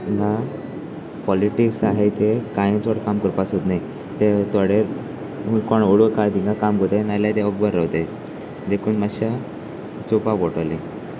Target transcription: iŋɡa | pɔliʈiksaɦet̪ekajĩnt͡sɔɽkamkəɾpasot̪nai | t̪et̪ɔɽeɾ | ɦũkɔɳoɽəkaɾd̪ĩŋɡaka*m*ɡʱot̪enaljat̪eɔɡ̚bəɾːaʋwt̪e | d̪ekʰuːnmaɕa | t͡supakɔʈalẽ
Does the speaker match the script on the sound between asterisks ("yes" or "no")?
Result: yes